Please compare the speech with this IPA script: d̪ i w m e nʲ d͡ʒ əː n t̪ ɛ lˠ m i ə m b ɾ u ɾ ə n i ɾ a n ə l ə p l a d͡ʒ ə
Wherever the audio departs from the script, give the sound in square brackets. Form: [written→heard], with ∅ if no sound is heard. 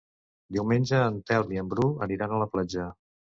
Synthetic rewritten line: d̪ i w m e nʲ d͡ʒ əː n t̪ ɛ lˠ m i ə m b ɾ u [ɾ→∅] ə n i ɾ a n ə l ə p l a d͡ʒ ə